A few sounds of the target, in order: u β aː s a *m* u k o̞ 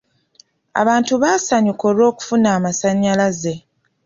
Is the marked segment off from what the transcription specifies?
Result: yes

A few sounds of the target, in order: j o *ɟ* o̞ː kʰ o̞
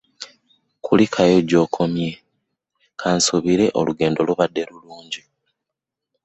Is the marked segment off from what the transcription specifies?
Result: no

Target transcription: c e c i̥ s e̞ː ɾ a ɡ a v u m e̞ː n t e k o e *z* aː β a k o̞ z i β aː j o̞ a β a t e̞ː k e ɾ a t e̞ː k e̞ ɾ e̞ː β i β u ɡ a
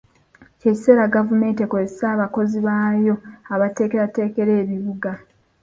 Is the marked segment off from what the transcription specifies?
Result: yes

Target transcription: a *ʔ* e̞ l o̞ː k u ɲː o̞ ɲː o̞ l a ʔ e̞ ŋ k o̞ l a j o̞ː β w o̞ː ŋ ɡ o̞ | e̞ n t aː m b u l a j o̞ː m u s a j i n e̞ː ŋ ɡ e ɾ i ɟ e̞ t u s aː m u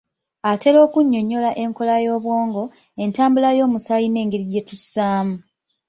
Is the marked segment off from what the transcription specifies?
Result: yes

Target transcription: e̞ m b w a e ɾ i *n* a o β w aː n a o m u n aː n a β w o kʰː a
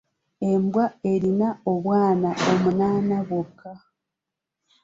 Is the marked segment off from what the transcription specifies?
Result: no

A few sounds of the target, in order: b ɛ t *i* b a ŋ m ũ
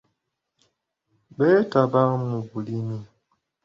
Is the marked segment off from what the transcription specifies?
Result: yes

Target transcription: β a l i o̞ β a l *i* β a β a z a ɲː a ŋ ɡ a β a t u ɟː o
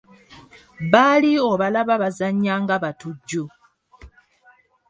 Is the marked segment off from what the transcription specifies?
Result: yes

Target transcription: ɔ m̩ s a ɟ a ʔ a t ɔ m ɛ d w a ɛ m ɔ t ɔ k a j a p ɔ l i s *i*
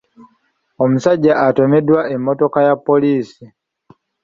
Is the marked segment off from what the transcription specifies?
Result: no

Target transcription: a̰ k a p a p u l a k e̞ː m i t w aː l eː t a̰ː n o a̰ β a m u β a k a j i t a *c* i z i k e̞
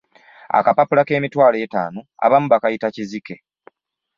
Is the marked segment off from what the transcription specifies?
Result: no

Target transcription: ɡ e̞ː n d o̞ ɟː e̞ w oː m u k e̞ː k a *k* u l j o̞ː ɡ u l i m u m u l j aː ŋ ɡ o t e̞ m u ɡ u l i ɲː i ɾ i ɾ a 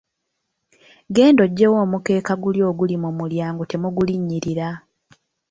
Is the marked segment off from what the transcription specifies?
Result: yes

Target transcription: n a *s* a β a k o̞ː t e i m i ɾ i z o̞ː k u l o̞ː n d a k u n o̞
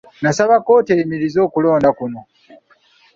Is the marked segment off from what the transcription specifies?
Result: no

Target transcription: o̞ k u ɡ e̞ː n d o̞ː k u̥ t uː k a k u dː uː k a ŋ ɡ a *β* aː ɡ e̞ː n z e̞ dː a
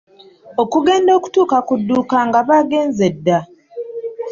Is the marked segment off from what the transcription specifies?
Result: no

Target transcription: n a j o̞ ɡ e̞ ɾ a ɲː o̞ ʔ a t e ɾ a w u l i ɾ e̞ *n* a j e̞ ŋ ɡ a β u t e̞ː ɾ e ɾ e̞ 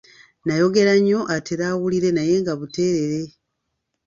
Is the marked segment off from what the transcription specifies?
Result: no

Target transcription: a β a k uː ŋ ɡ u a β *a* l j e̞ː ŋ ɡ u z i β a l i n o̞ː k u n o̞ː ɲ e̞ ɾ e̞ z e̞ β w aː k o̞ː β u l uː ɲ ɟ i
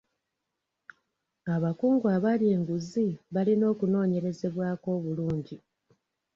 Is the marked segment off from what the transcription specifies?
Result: no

